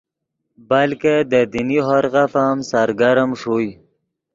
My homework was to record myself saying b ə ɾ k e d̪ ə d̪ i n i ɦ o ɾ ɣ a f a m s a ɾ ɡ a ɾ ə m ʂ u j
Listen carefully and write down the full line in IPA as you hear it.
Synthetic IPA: b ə l k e d̪ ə d̪ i n i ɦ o ɾ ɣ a f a m s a ɾ ɡ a ɾ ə m ʂ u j